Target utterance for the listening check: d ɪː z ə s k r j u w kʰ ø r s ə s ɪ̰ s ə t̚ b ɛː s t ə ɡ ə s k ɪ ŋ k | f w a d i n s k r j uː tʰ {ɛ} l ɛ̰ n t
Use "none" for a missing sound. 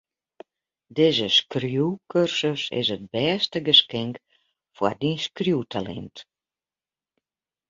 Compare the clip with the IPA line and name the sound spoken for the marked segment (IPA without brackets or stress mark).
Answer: a